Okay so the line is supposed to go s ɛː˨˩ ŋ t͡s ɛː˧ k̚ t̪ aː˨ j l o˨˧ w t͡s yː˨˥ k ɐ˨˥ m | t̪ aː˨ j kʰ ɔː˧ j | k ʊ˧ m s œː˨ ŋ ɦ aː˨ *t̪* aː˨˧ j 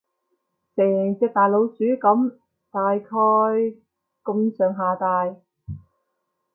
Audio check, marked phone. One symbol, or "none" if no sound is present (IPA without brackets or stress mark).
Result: t̪